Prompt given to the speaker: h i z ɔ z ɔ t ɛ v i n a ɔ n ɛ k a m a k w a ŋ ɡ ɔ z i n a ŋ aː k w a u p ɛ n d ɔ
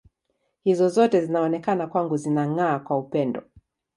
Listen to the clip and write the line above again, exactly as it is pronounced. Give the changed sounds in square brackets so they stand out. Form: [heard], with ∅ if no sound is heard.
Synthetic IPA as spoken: h i z ɔ z ɔ t ɛ [z] i n a ɔ n ɛ k a [n] a k w a ŋ ɡ [u] z i n a ŋ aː k w a u p ɛ n d ɔ

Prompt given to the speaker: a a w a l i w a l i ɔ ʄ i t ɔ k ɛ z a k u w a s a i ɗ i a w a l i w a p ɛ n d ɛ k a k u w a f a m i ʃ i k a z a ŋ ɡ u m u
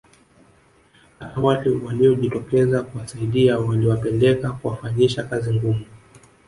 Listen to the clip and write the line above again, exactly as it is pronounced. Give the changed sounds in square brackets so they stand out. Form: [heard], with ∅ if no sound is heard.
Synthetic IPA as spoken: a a w a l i w a l i ɔ ʄ i t ɔ k ɛ z a k u w a s a i ɗ i a w a l i w a p ɛ n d ɛ k a k u w a f a [ɲ] i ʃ [a] k a z [i] ŋ ɡ u m u

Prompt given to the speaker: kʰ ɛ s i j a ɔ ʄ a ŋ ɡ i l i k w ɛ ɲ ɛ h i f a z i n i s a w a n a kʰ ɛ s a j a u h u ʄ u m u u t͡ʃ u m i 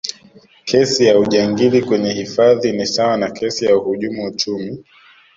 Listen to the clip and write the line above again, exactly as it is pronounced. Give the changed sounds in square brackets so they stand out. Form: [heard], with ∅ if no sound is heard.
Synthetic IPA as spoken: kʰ ɛ s i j a [u] ʄ a ŋ ɡ i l i k w ɛ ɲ ɛ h i f a [ð] i n i s a w a n a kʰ ɛ s [i] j a u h u ʄ u m u u t͡ʃ u m i

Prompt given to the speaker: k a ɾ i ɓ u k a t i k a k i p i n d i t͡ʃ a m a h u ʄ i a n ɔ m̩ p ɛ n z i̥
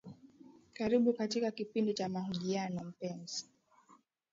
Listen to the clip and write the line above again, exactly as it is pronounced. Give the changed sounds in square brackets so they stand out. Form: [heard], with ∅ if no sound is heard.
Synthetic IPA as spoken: k a ɾ i ɓ u k a t i k a k i p i n d i t͡ʃ a m a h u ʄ i a n ɔ m̩ p ɛ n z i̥

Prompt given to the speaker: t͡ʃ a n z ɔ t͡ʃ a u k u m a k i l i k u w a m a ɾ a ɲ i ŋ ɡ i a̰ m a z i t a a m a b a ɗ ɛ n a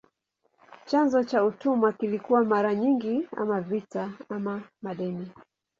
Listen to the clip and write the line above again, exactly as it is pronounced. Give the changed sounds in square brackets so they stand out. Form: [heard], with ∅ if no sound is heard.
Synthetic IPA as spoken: t͡ʃ a n z ɔ t͡ʃ a u [t] u m a k i l i k u w a m a ɾ a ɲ i ŋ ɡ i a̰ m a [v] i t a a m a [m] a ɗ ɛ n [i]

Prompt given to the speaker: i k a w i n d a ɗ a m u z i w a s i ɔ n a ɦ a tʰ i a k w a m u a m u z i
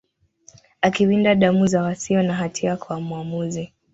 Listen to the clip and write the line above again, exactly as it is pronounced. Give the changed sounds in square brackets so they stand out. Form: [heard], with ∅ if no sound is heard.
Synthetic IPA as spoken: [a] k [i] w i n d a ɗ a m u z [a] w a s i ɔ n a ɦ a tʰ i a k w a m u a m u z i

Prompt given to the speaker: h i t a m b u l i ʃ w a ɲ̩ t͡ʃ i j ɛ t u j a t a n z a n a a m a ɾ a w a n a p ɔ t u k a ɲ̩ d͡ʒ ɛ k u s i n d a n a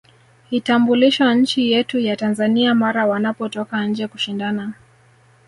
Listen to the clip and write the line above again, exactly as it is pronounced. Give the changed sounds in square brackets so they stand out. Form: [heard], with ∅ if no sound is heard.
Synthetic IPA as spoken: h i t a m b u l i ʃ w a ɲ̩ t͡ʃ i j ɛ t u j a t a n z a n [i] a m a ɾ a w a n a p ɔ t [ɔ] k a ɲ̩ d͡ʒ ɛ k u [ʃ] i n d a n a

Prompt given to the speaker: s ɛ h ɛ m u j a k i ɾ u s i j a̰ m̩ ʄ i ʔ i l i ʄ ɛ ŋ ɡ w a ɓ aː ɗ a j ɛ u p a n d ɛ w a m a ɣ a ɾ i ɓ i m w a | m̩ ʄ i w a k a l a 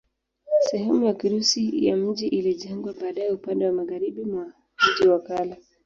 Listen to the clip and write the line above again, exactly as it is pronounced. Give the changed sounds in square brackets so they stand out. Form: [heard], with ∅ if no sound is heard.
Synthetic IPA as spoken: s ɛ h ɛ m u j a k i ɾ u s i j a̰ m̩ ʄ i ʔ i l i ʄ ɛ ŋ ɡ w a ɓ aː ɗ a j ɛ u p a n d ɛ w a m a ɣ a ɾ i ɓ i m w a | m̩ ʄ i w a k a l a

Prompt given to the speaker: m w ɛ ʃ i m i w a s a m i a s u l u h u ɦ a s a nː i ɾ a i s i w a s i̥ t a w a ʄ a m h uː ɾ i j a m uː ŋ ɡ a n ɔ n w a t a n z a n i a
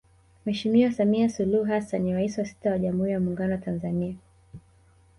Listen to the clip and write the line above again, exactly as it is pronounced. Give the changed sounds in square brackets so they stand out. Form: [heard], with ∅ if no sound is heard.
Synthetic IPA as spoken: m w ɛ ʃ i m i w a s a m i a s u l u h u ɦ a s a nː i ɾ a i s i w a s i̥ t a w a ʄ a m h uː ɾ i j a m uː ŋ ɡ a n ɔ [∅] w a t a n z a n i a

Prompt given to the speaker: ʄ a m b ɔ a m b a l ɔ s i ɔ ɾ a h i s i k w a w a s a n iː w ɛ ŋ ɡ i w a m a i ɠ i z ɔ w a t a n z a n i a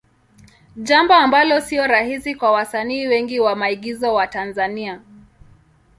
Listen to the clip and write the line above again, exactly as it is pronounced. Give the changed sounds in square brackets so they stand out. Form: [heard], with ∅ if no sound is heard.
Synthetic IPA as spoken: ʄ a m b ɔ a m b a l ɔ s i ɔ ɾ a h i s i k w a w a s a n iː w ɛ ŋ ɡ i w a m a i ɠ i z ɔ w a t a n z a n i a

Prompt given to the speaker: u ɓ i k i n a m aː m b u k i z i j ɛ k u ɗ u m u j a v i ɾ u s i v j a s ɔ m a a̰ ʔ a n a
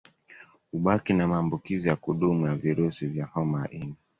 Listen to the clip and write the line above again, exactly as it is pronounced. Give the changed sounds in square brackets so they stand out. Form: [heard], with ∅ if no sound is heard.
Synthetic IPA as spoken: u ɓ [a] k i n a m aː m b u k i z i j [a] k u ɗ u m u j a v i ɾ u s i v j a [h] ɔ m a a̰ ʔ [i] n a

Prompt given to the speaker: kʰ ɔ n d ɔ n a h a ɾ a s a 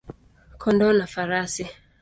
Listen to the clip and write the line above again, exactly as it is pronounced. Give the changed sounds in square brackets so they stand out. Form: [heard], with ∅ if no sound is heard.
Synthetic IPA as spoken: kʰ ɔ n d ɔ n a [f] a ɾ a s [i]

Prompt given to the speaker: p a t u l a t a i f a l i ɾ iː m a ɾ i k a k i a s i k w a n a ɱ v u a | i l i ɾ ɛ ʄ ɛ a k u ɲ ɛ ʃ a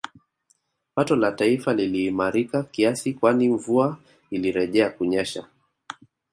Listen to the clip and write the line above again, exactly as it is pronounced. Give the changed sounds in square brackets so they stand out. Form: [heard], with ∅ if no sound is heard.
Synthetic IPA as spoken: p a t [ɔ] l a t a i f a l i [l] iː m a ɾ i k a k i a s i k w a n [i] ɱ v u a | i l i ɾ ɛ ʄ ɛ a k u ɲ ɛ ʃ a

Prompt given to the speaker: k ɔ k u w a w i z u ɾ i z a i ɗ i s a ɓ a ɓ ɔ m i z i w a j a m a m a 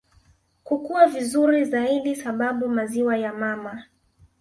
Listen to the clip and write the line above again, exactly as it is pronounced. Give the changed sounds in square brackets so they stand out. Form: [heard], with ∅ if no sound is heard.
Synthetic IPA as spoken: k [u] k u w a [v] i z u ɾ i z a i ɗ i s a ɓ a ɓ [u] m [a] z i w a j a m a m a

